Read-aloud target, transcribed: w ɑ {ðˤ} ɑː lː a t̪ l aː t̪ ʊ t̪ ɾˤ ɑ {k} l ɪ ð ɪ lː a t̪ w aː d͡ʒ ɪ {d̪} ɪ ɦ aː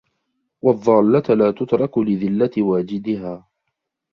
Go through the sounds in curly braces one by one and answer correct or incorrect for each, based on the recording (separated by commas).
incorrect, correct, correct